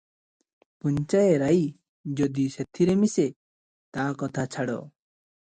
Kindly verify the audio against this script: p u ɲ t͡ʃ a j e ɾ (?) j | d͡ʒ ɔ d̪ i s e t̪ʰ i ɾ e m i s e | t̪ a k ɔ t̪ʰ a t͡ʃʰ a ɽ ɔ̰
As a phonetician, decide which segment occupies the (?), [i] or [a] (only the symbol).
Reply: a